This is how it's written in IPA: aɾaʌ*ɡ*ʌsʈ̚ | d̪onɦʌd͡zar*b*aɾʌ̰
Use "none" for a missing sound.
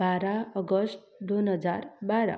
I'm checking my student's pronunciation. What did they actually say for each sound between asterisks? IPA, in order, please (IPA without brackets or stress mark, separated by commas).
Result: ɡ, b